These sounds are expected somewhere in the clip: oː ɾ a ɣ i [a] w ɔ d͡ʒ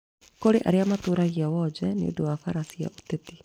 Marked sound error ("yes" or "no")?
no